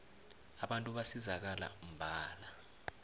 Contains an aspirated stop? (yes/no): no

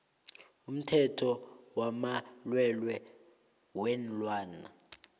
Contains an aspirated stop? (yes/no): yes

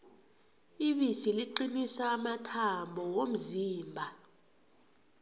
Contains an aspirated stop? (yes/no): yes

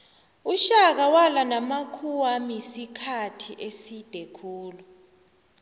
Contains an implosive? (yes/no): no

